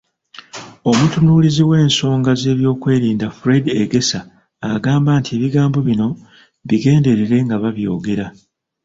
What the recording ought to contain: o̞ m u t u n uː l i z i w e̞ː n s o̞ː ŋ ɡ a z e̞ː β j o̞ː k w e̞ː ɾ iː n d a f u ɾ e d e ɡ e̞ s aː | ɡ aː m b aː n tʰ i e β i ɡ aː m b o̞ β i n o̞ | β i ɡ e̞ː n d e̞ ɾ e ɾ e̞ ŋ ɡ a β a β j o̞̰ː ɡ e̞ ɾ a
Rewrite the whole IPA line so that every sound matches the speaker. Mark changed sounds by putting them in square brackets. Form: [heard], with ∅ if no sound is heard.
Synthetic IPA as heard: o̞ m u t u n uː l i z i w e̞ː n s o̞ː ŋ ɡ a z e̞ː β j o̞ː k w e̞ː ɾ iː n d a f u ɾ e d e ɡ e̞ s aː | ɡ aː m b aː n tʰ i e β i ɡ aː m b o̞ β i n o̞ | β i ɡ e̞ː n d e̞ ɾ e ɾ e̞ ŋ ɡ a β a β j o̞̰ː ɡ e̞ ɾ a